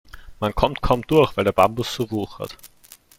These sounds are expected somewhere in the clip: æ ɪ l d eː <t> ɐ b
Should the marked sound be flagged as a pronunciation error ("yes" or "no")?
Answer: yes